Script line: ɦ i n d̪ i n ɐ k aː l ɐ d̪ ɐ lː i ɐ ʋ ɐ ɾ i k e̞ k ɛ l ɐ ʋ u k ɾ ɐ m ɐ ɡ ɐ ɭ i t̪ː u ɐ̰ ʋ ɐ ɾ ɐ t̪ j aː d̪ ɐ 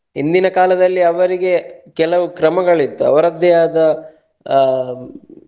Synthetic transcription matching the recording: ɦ i n d̪ i n ɐ k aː l ɐ d̪ ɐ lː i ɐ ʋ ɐ ɾ i ɡ e̞ k ɛ l ɐ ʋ u k ɾ ɐ m ɐ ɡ ɐ ɭ i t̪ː u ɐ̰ ʋ ɐ ɾ ɐ d̪ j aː d̪ ɐ